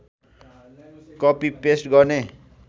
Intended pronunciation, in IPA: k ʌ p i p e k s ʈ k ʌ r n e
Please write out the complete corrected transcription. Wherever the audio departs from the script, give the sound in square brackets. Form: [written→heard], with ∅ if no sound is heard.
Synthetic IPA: k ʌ p i p e [k→∅] s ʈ [k→ɡ] ʌ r n e